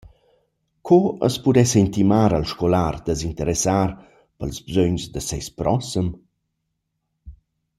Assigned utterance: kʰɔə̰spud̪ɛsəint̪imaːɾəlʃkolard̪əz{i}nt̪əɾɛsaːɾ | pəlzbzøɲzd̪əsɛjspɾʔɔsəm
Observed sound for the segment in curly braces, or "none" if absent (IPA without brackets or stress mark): i